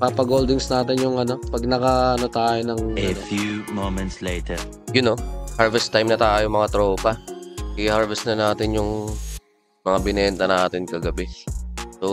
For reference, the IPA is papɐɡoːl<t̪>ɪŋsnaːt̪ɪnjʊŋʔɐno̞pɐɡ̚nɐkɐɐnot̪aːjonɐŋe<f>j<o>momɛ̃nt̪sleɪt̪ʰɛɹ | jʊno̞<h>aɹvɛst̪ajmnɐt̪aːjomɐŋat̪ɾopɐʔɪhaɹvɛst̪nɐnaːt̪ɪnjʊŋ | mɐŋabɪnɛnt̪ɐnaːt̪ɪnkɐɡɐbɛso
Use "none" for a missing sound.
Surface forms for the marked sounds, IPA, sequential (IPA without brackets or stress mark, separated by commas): d̪, f, u, h